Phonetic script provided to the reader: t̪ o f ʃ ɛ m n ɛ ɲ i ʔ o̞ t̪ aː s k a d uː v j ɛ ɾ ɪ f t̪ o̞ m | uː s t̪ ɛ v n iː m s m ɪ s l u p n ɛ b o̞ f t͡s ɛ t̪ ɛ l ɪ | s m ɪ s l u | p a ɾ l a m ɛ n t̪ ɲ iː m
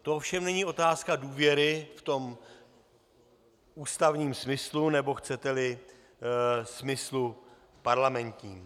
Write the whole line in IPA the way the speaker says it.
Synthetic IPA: t̪ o f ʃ ɛ m n ɛ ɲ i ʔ o̞ t̪ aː s k a d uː v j ɛ ɾ ɪ f t̪ o̞ m | uː s t̪ a v ɲ iː m s m ɪ s l u n ɛ b o̞ x t͡s ɛ t̪ ɛ l ɪ | s m ɪ s l u | p a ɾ l a m ɛ n t̪ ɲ iː m